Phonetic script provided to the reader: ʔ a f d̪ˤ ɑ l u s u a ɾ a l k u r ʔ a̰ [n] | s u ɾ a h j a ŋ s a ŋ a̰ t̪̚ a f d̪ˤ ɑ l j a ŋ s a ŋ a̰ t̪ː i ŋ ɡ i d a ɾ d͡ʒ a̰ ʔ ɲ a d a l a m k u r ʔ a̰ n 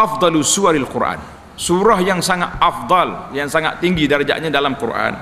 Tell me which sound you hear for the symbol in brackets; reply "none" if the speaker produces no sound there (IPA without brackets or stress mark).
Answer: n